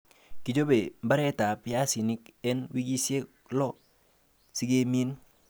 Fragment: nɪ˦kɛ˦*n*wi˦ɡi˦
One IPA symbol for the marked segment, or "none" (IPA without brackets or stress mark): n